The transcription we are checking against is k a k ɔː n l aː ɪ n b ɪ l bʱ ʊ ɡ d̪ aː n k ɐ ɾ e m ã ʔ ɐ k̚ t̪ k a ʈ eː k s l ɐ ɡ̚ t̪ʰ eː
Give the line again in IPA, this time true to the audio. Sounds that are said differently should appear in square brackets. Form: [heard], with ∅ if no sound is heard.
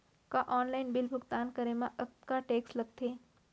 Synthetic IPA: k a [ʔ] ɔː n l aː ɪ n b ɪ l bʱ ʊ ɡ [t̪] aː n k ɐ ɾ e m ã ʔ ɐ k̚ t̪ k a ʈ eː k s l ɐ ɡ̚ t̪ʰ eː